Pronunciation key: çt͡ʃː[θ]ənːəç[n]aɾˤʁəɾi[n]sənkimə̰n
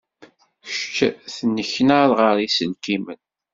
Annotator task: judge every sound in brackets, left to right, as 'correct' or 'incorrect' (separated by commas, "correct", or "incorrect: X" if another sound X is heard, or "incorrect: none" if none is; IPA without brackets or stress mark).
correct, correct, incorrect: none